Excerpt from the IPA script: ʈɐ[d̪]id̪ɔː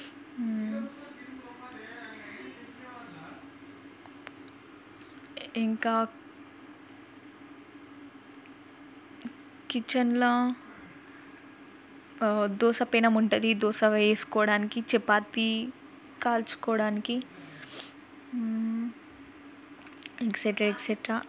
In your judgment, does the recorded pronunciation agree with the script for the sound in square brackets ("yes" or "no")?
yes